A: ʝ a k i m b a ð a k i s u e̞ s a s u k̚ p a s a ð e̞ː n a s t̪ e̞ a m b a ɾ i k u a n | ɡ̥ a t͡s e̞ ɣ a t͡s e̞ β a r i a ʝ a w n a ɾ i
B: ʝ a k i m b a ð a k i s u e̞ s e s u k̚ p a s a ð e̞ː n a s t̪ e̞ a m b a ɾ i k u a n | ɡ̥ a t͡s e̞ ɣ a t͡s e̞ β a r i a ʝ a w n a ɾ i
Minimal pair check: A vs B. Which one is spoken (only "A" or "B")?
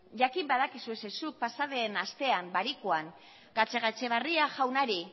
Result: B